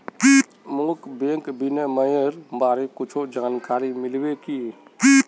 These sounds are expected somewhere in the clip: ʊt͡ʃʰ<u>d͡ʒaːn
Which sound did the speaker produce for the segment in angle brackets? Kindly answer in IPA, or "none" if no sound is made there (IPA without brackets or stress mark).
o